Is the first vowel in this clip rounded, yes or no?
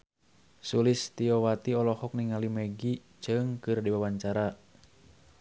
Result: yes